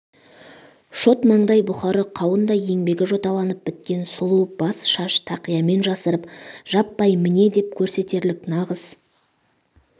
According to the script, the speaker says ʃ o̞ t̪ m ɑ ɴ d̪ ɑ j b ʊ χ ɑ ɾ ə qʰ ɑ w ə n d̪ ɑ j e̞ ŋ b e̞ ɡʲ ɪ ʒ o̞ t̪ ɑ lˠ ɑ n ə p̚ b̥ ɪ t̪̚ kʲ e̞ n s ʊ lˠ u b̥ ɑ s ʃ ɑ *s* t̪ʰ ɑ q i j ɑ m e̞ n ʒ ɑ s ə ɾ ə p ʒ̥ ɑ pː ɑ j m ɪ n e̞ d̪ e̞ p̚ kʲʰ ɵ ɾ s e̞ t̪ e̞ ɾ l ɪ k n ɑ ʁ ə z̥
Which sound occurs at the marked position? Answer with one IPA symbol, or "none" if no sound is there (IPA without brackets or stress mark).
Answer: ʃ